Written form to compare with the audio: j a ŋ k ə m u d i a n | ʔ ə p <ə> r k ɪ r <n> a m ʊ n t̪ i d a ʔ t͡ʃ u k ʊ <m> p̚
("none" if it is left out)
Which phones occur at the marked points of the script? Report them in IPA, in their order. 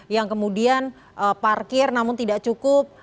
a, n, none

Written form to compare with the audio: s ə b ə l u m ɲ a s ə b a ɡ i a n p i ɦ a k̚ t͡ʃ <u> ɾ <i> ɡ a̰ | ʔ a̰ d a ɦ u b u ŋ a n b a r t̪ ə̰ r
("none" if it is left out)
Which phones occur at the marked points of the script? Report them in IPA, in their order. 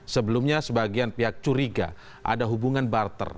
u, i

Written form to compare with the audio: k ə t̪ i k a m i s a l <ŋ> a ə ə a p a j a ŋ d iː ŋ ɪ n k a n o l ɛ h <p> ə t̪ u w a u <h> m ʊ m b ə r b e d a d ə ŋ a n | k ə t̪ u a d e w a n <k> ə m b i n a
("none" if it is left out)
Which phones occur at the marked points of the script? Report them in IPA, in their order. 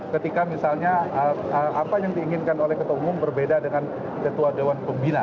ɲ, k, none, p

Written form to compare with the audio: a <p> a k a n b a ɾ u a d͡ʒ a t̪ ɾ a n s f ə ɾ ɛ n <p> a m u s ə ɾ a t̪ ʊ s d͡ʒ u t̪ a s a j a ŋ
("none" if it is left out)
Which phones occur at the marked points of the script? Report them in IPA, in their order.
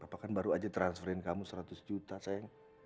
p, k

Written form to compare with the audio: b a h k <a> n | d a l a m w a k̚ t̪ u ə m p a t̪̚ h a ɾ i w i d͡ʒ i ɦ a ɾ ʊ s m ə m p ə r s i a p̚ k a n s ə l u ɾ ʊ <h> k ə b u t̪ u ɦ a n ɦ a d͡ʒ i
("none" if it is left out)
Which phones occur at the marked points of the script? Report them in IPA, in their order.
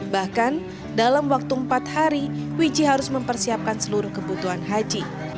a, h

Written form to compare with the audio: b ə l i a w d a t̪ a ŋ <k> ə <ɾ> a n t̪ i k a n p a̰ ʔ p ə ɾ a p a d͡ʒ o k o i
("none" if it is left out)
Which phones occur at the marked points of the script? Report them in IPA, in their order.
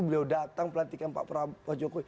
p, l

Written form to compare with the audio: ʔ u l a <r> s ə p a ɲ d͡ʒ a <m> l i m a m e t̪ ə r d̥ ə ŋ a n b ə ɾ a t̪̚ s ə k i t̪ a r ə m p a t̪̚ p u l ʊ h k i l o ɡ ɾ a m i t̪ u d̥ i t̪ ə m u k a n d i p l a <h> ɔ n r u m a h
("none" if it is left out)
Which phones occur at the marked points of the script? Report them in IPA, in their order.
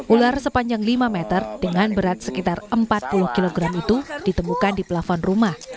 r, ŋ, f

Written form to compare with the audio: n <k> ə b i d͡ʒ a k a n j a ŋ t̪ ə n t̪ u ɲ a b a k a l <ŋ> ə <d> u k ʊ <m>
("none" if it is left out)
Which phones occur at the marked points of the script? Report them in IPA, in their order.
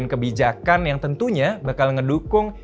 k, ŋ, d, ŋ

